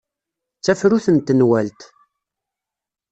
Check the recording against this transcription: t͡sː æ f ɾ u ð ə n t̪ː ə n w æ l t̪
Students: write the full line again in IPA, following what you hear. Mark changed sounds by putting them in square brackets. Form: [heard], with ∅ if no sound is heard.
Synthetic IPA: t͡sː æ f ɾ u [θ] ə n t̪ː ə n w æ l t̪